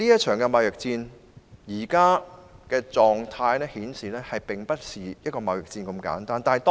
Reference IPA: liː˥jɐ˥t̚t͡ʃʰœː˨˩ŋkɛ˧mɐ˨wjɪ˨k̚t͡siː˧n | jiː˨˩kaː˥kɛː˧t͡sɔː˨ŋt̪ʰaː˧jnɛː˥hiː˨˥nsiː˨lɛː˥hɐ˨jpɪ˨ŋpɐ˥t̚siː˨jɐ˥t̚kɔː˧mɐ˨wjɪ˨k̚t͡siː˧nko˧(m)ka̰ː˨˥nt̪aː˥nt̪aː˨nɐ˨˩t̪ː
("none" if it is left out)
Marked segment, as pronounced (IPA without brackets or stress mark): m